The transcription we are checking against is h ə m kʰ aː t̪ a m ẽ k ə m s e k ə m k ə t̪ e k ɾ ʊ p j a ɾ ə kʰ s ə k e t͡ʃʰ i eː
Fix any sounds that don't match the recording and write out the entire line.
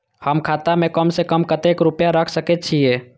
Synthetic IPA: h ə m kʰ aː t̪ a m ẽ k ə m s e k ə m k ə t̪ e k ɾ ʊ p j a ɾ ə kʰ s ə k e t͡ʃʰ i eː